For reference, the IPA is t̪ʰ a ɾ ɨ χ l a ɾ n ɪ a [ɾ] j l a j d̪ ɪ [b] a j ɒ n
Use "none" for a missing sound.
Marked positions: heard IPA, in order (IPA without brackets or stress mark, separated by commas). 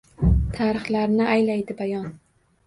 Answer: none, b